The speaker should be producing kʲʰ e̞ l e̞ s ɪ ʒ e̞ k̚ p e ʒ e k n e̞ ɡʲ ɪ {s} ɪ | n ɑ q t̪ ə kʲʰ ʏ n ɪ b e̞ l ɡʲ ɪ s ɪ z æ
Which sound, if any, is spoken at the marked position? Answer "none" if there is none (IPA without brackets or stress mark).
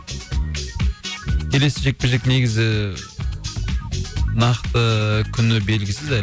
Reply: z